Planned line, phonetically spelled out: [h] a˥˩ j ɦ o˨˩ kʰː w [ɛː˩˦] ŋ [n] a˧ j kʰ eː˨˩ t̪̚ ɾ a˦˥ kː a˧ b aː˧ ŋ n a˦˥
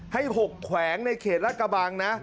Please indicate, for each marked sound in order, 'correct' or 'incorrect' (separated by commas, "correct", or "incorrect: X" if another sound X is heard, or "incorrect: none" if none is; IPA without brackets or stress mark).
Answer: correct, correct, correct